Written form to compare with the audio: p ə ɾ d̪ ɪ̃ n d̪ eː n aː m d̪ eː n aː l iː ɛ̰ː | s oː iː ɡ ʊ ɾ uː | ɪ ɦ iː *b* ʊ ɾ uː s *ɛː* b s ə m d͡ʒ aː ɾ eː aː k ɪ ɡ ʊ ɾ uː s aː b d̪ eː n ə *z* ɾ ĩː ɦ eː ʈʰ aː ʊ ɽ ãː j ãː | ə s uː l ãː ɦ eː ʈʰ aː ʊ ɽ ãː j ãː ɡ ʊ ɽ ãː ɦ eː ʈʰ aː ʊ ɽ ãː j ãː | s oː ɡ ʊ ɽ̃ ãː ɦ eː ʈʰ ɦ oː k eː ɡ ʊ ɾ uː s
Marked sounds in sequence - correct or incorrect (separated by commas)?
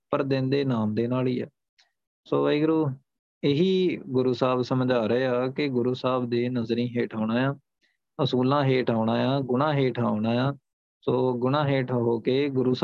incorrect, incorrect, correct